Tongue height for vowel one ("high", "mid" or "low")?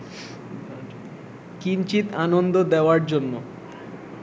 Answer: high